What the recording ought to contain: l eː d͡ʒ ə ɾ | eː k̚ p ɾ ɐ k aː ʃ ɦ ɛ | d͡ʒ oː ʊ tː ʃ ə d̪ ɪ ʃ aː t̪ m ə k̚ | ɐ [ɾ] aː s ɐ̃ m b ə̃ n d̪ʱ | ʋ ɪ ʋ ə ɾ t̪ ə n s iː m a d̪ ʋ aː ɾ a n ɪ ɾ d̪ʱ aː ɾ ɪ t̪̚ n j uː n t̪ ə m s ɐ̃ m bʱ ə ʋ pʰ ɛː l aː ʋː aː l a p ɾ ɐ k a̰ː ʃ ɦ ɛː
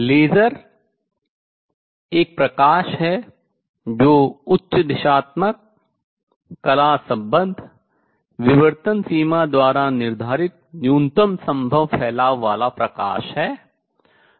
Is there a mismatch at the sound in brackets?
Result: yes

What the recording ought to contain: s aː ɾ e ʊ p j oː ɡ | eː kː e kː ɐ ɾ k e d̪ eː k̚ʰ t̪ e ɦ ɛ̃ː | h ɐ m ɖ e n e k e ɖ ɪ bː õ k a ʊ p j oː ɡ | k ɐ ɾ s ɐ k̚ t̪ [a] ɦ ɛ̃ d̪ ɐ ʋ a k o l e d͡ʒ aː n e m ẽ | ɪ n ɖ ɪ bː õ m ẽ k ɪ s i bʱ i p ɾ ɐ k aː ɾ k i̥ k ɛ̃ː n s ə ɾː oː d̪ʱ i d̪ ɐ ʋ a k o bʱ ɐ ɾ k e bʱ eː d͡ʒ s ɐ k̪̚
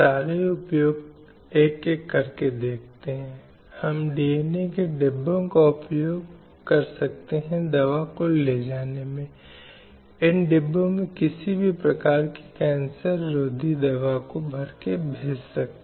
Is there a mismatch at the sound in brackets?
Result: yes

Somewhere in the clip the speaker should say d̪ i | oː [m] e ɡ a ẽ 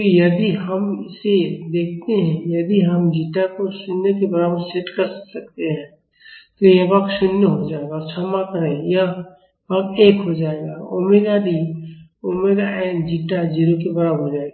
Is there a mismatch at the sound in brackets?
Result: no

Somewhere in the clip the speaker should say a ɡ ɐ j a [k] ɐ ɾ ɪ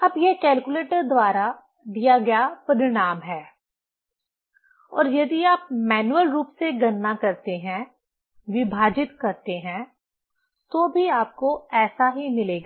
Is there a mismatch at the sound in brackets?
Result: yes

